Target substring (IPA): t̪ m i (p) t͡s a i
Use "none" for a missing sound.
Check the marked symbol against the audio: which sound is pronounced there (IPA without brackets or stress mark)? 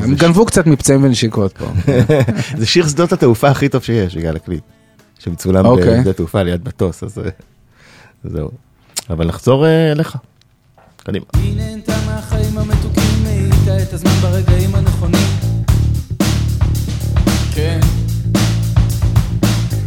p